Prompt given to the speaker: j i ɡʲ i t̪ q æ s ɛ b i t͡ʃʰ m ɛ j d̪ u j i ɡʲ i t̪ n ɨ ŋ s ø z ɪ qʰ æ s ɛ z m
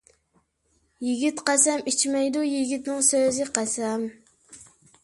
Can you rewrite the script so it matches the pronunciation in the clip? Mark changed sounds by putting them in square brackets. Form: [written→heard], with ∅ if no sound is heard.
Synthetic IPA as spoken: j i ɡʲ i t̪ q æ s ɛ [b→m] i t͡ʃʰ m ɛ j d̪ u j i ɡʲ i t̪ n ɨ ŋ s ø z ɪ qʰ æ s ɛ [z→∅] m